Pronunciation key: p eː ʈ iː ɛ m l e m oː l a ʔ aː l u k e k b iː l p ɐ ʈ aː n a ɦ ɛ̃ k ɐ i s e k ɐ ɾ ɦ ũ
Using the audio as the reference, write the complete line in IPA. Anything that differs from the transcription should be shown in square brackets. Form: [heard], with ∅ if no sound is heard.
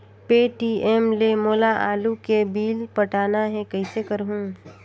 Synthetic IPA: p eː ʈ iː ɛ m l e m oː l a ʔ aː l u k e [∅] b iː l p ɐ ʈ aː n a ɦ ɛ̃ k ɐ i s e k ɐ ɾ ɦ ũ